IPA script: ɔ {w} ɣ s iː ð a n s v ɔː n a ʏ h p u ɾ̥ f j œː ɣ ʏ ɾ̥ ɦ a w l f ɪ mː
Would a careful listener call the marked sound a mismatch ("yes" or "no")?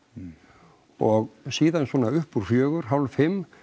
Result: yes